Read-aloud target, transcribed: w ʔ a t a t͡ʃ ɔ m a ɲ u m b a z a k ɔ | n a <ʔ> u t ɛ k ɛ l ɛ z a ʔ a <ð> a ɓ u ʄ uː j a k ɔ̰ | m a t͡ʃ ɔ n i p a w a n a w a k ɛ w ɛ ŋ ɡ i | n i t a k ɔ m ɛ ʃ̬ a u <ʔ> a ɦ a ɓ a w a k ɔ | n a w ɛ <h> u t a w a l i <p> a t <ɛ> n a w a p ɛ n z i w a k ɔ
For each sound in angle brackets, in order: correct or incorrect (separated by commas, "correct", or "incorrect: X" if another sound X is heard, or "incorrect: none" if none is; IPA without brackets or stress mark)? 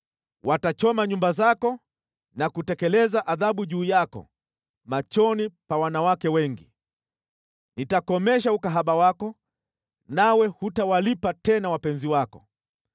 incorrect: k, correct, incorrect: k, correct, correct, correct